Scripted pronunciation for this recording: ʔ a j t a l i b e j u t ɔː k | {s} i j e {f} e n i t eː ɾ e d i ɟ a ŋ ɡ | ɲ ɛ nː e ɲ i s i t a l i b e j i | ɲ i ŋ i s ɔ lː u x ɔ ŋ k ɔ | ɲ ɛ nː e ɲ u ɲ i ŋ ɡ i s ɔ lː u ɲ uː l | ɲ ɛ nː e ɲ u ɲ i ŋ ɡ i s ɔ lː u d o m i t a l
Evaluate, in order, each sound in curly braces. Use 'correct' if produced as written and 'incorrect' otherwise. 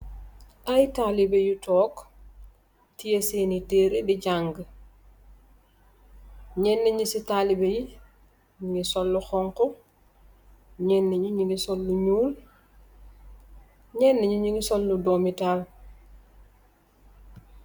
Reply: incorrect: t, incorrect: s

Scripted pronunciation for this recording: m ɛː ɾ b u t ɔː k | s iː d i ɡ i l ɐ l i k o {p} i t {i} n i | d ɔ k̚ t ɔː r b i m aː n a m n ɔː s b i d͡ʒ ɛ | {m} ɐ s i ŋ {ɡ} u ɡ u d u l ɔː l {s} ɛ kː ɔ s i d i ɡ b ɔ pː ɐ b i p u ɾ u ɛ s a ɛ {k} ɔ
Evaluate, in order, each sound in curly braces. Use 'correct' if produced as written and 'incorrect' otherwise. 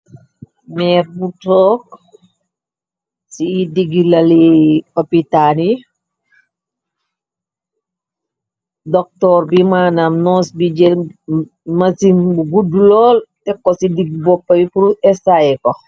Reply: correct, incorrect: a, correct, incorrect: b, incorrect: t, correct

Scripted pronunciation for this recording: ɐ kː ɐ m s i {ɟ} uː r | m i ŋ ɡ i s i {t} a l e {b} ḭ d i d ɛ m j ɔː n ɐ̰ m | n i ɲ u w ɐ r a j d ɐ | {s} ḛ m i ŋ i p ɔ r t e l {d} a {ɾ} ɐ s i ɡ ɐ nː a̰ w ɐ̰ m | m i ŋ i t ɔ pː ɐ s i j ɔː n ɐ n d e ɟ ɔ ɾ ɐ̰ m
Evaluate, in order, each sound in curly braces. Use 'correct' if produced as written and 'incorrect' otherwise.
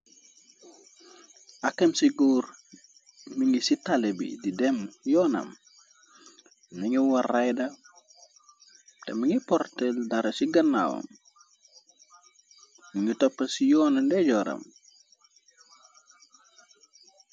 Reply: incorrect: ɡ, correct, correct, incorrect: t, correct, correct

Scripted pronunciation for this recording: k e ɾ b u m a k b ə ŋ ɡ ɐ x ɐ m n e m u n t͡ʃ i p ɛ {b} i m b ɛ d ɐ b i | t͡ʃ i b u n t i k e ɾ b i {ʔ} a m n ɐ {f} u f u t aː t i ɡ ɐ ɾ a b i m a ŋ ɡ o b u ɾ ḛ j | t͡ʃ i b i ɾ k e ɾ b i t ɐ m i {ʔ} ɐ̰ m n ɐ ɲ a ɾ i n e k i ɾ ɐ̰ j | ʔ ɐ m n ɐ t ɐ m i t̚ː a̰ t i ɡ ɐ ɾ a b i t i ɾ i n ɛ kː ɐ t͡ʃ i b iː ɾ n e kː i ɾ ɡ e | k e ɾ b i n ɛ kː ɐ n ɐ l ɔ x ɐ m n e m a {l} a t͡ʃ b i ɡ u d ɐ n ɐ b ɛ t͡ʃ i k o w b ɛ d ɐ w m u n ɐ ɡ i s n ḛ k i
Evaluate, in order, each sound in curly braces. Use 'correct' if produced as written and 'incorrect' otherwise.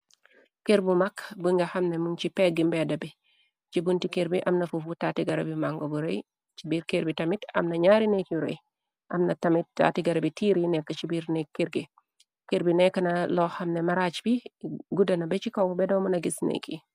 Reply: incorrect: ɡ, correct, correct, incorrect: t, incorrect: ɾ

